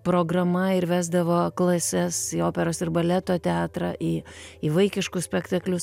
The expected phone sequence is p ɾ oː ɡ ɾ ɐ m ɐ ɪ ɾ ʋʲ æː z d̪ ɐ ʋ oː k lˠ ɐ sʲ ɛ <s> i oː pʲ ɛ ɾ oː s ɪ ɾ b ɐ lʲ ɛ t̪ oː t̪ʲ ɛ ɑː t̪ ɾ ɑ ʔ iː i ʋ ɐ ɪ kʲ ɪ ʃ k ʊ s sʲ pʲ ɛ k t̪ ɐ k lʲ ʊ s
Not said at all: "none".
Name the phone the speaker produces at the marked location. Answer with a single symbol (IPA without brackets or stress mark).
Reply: s